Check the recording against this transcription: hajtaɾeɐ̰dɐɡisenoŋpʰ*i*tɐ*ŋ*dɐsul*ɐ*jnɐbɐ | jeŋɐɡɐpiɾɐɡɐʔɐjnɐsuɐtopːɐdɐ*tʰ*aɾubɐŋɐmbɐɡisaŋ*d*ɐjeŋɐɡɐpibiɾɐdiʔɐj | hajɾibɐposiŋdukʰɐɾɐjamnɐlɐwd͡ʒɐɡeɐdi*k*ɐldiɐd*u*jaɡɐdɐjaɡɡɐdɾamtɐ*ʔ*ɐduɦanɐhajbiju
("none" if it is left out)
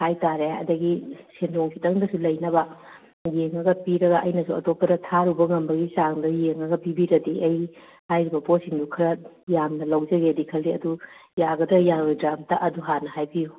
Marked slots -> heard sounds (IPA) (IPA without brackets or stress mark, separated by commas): i, ŋ, ɐ, tʰ, d, kʰ, u, ʔ